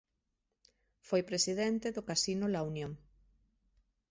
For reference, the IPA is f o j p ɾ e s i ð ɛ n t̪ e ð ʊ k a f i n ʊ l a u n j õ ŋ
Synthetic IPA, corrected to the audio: f o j p ɾ e s i ð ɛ n t̪ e ð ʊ k a s i n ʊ l a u n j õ ŋ